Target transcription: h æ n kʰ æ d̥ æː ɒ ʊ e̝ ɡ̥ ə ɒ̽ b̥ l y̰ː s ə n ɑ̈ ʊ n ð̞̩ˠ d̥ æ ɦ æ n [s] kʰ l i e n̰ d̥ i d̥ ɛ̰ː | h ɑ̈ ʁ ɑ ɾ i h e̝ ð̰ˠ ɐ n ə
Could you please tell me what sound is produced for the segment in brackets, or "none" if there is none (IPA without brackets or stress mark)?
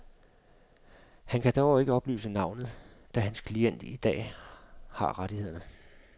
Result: s